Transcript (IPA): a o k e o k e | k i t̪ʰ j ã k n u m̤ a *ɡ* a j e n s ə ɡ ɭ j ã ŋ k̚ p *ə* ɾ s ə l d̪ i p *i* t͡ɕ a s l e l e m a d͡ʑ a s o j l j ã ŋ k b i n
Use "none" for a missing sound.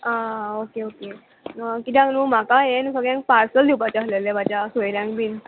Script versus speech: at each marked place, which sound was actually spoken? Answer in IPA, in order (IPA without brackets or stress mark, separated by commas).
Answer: k, a, a